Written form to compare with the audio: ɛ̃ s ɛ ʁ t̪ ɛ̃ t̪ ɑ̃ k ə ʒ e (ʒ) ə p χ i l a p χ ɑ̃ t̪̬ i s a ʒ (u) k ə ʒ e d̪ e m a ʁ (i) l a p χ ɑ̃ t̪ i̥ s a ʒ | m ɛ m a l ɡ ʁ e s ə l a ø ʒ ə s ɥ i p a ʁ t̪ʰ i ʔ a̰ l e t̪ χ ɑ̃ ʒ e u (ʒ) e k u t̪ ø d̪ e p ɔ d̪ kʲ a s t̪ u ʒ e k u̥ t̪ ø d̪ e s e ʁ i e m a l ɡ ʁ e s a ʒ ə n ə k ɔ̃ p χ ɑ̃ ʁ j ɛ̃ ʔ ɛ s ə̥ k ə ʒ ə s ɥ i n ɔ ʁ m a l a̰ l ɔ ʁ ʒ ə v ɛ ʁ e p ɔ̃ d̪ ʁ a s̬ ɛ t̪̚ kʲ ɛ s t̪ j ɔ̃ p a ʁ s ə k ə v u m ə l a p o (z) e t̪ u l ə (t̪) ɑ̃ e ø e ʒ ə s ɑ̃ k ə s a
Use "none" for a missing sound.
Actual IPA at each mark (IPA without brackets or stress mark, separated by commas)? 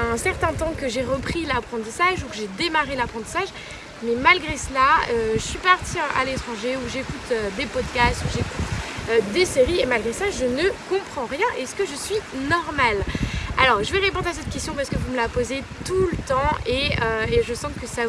ʁ, u, e, ʒ, z, t̪